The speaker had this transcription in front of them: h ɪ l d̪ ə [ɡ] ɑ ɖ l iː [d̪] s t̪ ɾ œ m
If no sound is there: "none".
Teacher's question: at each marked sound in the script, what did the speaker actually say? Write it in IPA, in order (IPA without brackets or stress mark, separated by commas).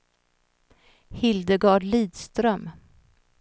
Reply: ɡ, d̪